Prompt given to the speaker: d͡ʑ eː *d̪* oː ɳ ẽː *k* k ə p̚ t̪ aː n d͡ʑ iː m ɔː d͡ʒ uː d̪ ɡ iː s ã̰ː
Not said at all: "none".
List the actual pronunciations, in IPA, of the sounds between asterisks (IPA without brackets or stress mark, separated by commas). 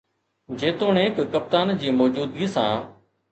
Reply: t̪, k